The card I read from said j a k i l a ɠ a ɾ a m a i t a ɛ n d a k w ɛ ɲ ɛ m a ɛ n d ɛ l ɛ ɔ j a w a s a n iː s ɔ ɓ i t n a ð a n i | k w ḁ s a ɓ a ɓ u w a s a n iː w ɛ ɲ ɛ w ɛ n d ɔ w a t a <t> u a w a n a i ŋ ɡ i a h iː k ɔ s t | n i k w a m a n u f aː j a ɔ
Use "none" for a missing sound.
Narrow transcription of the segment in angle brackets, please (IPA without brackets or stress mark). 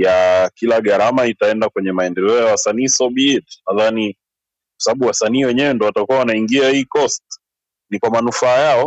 k